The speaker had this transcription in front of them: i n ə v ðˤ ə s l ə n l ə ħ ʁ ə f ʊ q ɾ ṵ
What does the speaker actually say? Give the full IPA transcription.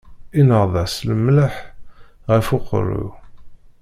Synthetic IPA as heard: i n ə ʁ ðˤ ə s l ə m l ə ħ ʁ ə f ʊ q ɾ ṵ